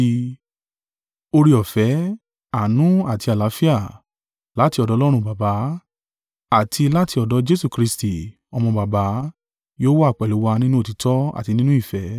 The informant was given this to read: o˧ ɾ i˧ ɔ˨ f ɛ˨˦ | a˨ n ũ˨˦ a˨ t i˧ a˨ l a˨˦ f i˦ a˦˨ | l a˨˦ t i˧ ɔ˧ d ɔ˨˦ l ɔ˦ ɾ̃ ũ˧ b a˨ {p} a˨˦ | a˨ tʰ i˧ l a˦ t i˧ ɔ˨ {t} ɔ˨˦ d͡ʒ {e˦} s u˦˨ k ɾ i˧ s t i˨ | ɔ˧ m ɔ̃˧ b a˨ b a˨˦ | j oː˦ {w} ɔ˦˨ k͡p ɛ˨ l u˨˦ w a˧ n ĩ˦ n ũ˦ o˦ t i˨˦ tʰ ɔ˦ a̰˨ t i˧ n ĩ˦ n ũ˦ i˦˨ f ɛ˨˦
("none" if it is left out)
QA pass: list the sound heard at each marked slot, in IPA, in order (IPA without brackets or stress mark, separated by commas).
b, d, e˦, w